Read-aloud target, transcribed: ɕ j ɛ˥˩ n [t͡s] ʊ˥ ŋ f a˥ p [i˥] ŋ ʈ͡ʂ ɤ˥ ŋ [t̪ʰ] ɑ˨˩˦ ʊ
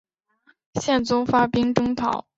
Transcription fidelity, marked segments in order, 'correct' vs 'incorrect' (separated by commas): correct, correct, correct